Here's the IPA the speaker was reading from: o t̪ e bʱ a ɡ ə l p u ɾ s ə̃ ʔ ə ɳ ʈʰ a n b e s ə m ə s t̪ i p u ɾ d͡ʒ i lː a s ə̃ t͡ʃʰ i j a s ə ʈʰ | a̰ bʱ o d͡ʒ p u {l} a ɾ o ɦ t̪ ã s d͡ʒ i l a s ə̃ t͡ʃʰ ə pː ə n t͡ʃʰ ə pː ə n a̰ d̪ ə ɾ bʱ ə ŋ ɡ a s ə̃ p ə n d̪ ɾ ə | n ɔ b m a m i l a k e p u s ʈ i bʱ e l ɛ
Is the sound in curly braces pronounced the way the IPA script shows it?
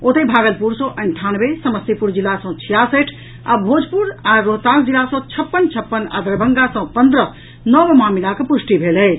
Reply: no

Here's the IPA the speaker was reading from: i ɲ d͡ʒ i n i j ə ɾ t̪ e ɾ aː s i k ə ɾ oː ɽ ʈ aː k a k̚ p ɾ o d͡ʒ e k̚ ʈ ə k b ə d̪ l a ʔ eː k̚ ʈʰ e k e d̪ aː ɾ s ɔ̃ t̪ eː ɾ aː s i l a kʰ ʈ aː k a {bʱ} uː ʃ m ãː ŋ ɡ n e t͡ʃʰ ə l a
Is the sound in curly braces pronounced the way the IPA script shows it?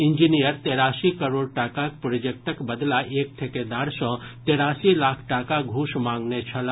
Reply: no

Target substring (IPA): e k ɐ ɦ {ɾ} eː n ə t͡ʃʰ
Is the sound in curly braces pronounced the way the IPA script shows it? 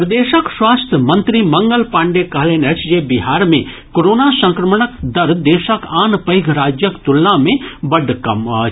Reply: no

